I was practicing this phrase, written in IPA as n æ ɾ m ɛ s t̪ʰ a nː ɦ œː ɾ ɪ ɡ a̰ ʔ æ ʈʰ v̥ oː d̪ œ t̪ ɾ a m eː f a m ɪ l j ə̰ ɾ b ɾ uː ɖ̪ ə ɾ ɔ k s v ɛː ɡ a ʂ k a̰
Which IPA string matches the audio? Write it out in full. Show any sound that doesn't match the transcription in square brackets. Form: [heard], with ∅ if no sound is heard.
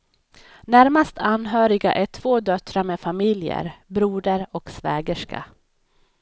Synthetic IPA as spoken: n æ ɾ m [a] s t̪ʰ a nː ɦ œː ɾ ɪ ɡ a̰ ʔ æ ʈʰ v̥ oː d̪ œ t̪ ɾ a m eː f a m ɪ l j ə̰ ɾ b ɾ uː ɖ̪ ə ɾ ɔ k s v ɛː ɡ [ə] ʂ k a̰